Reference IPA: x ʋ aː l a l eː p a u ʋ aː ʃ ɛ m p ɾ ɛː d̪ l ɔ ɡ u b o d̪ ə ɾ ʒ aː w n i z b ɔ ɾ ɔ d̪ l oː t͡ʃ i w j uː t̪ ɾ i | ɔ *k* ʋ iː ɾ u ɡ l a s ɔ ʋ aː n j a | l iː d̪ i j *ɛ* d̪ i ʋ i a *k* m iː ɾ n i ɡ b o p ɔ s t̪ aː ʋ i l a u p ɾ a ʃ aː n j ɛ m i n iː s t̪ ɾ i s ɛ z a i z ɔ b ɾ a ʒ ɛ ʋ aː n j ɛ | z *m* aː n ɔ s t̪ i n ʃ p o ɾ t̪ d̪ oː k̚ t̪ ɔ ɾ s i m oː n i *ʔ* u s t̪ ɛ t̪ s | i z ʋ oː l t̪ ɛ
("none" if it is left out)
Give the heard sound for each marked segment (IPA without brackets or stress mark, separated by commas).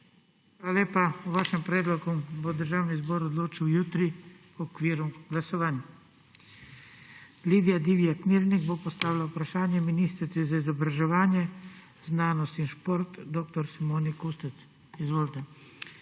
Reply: k, a, k, n, k